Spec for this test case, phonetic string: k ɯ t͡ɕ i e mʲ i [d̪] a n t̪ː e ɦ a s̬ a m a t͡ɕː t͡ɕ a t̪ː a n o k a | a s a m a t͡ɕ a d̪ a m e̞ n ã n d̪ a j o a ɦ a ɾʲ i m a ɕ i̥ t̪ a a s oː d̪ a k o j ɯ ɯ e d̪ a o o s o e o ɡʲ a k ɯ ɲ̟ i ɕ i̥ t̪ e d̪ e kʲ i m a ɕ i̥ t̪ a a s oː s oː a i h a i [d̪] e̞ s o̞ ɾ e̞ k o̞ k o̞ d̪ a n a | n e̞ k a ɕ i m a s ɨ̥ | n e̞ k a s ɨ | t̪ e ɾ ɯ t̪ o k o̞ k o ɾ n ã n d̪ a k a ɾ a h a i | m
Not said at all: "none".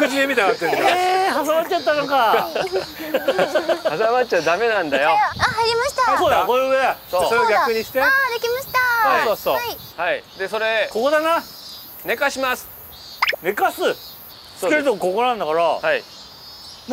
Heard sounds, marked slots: t̪, d̪

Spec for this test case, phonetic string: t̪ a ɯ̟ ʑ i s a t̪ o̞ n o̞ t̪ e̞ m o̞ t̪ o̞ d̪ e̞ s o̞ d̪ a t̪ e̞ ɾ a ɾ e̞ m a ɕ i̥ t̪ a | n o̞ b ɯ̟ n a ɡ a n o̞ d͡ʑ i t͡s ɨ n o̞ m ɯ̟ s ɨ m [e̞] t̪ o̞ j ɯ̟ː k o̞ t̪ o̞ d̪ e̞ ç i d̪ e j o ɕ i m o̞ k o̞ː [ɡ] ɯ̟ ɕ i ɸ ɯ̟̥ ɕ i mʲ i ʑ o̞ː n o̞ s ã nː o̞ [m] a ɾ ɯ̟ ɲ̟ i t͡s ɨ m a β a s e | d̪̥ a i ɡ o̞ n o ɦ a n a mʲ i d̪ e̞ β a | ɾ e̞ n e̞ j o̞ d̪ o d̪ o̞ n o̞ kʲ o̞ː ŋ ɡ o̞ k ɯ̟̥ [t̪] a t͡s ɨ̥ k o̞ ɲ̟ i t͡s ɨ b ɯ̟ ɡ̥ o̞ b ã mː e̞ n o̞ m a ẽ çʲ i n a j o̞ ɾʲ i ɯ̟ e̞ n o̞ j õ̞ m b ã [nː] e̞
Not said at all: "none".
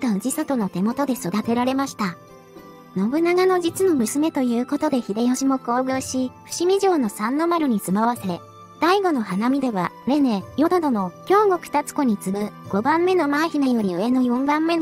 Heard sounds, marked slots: e̞, ɡ, m, t̪, mː

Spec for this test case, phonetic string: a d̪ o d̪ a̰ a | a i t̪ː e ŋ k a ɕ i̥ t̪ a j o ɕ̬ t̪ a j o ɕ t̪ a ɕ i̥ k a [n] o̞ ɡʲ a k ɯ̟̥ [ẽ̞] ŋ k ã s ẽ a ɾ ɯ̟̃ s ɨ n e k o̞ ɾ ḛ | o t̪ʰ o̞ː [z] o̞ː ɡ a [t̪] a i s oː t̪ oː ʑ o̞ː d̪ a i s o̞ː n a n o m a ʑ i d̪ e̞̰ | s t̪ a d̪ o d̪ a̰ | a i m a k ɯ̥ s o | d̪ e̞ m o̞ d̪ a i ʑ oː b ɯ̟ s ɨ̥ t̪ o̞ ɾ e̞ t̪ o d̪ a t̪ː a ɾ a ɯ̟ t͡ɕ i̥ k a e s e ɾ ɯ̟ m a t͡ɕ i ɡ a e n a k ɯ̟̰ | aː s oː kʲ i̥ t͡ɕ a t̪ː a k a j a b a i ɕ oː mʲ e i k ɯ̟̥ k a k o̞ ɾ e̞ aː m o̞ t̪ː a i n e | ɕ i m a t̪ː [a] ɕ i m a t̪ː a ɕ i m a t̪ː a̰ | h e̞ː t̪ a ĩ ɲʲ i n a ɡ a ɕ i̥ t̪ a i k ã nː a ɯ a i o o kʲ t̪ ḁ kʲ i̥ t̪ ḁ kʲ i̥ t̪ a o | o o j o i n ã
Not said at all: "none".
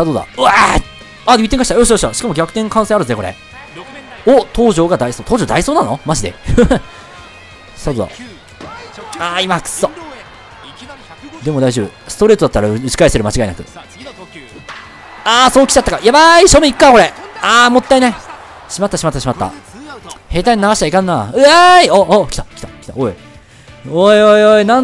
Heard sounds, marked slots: m, ẽ̞, ʑ, d̪, a

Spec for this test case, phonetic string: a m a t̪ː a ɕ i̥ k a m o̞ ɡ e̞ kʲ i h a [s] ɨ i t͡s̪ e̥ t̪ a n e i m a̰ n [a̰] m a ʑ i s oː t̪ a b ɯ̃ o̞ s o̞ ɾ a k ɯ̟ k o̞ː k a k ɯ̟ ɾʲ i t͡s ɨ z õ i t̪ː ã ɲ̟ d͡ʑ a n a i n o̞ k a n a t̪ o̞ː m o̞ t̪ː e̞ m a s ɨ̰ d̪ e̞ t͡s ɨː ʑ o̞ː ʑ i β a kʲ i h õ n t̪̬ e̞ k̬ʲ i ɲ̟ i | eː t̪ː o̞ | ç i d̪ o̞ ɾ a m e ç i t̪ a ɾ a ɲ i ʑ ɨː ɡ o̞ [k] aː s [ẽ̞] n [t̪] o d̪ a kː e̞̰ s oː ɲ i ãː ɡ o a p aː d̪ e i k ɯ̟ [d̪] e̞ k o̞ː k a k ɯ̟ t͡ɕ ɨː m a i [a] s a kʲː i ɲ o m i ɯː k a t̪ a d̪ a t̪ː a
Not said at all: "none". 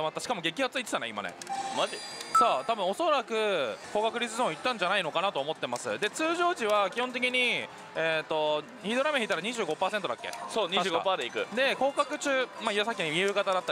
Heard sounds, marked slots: t͡s, ḛ, p, e̞, t̪, d̪, a

